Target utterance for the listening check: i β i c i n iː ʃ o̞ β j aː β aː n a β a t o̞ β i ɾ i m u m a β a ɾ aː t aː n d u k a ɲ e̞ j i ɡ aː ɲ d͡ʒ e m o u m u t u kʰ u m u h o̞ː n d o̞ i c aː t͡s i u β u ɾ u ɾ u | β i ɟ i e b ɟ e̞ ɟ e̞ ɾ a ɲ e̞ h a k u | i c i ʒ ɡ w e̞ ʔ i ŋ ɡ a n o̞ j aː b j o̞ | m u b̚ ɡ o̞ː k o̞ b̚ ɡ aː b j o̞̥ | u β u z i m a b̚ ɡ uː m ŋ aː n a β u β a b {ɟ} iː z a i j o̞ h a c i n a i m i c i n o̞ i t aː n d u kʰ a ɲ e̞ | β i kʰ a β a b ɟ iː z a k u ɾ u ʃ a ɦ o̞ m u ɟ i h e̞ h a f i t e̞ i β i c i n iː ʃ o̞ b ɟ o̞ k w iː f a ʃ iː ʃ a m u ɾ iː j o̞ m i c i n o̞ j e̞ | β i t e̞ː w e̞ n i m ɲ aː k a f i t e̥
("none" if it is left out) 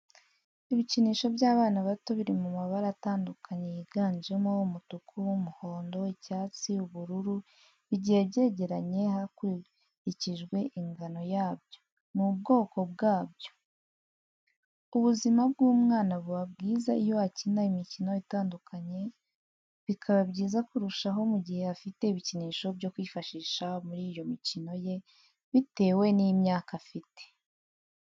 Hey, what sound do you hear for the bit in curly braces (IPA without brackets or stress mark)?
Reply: ɡ